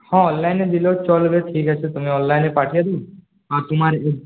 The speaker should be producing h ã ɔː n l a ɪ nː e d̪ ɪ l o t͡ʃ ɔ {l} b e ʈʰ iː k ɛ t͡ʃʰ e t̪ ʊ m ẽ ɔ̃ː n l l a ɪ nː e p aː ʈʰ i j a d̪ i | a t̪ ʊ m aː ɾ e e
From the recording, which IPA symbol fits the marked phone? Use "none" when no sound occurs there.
l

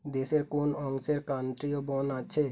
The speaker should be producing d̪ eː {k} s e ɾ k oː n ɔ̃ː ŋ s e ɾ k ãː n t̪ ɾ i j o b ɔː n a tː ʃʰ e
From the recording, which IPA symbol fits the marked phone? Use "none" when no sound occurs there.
none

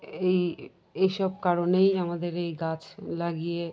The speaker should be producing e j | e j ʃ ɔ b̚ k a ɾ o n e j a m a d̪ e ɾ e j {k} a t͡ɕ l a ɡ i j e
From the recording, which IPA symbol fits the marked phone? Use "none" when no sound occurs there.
ɡ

